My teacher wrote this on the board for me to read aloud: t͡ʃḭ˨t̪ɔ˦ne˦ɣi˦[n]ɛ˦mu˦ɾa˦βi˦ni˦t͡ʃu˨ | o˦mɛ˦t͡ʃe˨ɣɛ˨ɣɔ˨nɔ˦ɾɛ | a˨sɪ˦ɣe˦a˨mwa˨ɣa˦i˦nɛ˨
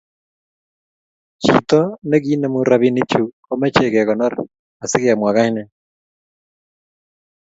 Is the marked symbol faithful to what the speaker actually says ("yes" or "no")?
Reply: yes